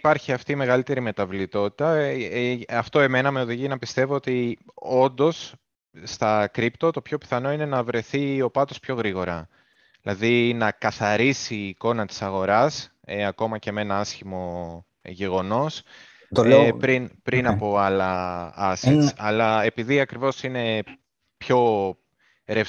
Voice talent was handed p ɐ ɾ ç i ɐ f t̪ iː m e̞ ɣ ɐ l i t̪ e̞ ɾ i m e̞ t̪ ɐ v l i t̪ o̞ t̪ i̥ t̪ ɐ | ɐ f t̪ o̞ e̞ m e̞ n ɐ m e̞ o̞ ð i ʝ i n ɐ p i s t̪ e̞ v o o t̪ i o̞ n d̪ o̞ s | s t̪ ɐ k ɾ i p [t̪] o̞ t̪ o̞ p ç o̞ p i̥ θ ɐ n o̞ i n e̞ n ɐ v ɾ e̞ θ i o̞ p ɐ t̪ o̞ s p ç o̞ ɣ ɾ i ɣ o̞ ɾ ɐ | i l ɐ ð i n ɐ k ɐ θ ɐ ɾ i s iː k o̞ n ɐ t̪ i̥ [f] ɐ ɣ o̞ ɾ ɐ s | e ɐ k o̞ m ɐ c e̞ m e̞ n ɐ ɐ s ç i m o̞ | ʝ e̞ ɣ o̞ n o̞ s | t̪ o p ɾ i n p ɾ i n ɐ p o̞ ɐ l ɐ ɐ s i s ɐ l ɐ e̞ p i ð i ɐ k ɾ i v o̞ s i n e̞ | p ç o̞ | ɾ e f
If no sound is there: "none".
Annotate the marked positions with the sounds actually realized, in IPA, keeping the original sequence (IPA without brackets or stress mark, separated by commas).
t̪, s